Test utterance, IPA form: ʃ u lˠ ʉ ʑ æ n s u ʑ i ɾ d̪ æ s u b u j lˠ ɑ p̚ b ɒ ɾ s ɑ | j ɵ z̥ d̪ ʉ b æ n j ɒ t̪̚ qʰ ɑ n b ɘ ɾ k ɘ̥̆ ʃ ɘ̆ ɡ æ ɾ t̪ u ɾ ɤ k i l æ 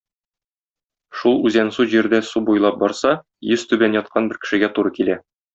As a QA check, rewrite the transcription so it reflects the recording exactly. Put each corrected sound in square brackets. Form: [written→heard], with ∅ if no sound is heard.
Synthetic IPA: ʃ u lˠ ʉ [ʑ→z] æ n s u ʑ i ɾ d̪ æ s u b u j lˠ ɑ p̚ b ɒ ɾ s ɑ | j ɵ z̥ [d̪→t̪] ʉ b æ n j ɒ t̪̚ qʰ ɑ n b ɘ ɾ k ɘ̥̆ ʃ ɘ̆ ɡ æ [ɾ→∅] t̪ u ɾ ɤ k i l æ